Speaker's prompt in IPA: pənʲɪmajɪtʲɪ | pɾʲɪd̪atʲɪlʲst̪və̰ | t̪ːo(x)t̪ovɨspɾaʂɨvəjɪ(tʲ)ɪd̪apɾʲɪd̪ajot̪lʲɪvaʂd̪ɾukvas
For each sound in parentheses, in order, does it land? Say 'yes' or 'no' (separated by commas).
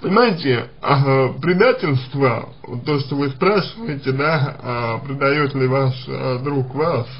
no, yes